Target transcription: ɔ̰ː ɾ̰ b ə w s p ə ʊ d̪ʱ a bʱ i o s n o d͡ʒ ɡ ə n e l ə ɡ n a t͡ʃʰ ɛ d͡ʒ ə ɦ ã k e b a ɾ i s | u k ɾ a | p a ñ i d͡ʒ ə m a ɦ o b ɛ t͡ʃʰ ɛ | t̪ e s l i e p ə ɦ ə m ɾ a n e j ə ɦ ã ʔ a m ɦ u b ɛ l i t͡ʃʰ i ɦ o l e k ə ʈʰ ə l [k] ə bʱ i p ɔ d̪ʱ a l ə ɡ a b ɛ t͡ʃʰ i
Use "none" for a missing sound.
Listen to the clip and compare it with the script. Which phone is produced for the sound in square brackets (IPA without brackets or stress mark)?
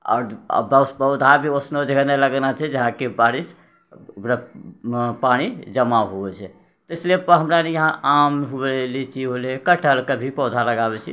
k